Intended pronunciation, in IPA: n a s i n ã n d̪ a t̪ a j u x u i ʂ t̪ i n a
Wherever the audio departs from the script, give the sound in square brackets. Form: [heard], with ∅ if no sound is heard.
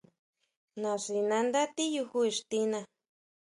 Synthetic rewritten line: n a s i n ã n d̪ a t̪ [i] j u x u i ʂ t̪ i n a